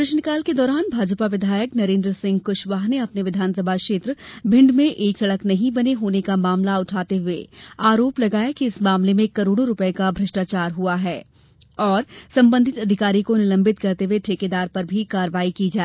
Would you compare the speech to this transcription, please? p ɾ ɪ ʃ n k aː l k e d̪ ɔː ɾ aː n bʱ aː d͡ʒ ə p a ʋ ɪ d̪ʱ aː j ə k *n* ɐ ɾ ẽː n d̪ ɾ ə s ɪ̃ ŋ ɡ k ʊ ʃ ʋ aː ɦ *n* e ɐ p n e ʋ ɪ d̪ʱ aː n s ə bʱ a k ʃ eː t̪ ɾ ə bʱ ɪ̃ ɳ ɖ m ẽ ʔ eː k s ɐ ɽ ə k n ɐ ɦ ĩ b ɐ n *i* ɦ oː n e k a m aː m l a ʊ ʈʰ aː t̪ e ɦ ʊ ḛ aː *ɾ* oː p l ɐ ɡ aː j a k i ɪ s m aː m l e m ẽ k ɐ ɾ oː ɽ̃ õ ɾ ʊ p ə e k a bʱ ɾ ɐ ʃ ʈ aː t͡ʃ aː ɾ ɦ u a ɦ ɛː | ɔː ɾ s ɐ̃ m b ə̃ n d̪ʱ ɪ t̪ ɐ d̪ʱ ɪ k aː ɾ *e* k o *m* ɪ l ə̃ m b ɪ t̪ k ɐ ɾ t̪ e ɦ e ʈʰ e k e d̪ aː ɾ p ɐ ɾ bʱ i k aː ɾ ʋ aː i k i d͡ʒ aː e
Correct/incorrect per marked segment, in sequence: correct, correct, incorrect: e, correct, incorrect: i, incorrect: n

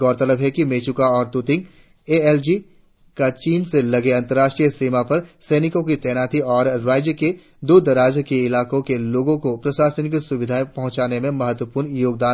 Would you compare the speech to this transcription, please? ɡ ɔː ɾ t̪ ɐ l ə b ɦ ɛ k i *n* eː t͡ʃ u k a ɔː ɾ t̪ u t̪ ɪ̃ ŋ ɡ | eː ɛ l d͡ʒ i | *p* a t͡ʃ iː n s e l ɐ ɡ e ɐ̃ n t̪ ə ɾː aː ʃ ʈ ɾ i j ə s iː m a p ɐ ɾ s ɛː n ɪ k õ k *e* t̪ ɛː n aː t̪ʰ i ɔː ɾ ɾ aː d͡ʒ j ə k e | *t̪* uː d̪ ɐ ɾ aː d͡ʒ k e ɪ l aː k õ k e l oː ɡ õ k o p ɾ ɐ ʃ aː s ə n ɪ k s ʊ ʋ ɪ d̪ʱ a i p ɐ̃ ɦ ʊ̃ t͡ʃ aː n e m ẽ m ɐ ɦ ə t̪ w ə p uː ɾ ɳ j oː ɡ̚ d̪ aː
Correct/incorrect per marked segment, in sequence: incorrect: m, incorrect: k, incorrect: i, incorrect: d̪

